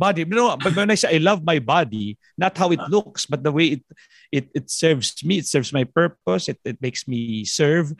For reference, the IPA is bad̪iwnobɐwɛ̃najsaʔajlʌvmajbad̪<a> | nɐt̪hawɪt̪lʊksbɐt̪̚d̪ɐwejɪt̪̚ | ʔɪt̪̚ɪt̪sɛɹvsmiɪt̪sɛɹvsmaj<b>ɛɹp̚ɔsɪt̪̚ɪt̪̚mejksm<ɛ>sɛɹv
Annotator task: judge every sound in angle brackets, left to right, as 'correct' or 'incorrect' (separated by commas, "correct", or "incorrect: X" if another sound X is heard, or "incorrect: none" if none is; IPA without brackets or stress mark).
incorrect: i, incorrect: p, incorrect: i